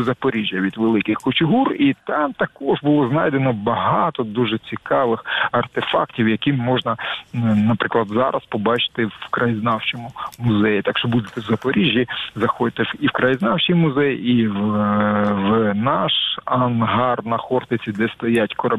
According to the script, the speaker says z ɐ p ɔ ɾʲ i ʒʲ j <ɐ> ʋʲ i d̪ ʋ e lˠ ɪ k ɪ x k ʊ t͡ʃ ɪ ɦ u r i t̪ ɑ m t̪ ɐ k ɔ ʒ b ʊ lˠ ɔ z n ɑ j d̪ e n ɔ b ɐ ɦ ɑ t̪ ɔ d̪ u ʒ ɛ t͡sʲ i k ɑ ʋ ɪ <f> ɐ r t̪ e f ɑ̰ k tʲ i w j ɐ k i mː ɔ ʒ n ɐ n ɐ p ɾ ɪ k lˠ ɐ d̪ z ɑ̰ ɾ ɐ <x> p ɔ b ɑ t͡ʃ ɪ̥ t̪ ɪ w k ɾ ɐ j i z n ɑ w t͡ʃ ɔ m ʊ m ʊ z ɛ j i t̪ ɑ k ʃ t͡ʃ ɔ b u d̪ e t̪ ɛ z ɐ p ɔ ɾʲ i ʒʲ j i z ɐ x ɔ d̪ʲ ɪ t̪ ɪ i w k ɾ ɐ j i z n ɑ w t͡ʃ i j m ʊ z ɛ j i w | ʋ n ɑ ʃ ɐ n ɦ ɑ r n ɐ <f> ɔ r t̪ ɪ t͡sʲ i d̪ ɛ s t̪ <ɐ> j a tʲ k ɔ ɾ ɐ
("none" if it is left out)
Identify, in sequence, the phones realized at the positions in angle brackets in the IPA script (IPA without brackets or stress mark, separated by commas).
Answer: ɐ, x, s, x, ɐ